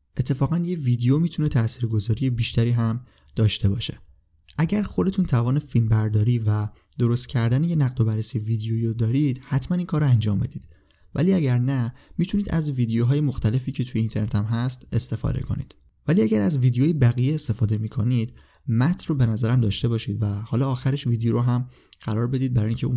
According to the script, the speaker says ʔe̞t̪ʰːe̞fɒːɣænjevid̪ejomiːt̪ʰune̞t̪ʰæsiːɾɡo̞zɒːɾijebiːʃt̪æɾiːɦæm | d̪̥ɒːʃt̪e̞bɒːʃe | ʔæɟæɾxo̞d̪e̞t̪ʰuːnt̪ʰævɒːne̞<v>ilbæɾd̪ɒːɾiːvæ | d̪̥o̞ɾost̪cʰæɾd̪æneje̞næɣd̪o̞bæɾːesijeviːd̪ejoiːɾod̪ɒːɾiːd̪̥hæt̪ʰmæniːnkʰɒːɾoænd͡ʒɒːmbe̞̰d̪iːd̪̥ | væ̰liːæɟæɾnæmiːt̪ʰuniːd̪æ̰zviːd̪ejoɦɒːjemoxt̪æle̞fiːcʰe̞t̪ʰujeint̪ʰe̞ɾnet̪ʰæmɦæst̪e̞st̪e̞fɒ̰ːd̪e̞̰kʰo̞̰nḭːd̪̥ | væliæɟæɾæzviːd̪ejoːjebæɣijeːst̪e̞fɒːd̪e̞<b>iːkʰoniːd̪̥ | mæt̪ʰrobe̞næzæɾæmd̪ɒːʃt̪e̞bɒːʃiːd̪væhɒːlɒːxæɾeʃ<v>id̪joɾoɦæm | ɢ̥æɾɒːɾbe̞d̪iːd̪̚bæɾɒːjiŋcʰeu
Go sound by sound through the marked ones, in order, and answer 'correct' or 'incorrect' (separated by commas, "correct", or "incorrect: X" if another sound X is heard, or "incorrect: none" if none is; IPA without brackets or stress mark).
incorrect: f, incorrect: m, correct